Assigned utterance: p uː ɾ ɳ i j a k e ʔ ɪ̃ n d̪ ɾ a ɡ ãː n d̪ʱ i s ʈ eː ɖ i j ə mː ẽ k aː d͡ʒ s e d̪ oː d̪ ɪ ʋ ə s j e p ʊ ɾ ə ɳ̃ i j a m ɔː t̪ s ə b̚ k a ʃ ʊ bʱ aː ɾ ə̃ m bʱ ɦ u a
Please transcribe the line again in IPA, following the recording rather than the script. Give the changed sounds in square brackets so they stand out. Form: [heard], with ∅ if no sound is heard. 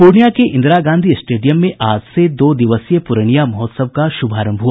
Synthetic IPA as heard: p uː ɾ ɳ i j a k e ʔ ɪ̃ n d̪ ɾ a ɡ ãː n d̪ʱ i s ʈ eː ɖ i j ə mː ẽ [ʔ] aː d͡ʒ s e d̪ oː d̪ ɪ ʋ ə s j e p ʊ ɾ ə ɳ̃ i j a m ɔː t̪ s ə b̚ k a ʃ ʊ bʱ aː ɾ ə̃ m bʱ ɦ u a